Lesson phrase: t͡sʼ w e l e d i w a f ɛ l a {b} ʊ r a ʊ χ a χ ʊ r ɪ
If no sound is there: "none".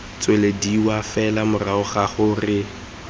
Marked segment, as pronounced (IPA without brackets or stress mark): m